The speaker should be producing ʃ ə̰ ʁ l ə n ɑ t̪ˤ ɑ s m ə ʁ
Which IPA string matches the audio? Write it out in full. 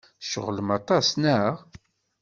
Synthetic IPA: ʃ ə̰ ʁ l ə m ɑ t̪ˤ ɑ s n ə ʁ